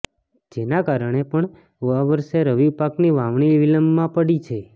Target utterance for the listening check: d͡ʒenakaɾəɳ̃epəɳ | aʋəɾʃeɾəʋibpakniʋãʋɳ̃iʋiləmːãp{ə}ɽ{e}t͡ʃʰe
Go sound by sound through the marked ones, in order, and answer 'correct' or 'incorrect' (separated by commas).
correct, incorrect